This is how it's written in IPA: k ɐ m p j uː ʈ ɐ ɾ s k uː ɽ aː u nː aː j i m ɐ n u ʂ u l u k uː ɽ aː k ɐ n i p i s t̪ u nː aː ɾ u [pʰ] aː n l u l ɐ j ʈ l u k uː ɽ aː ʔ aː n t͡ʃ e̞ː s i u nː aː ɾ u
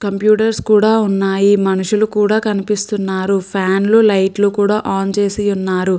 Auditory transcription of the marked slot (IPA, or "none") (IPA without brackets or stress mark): pʰ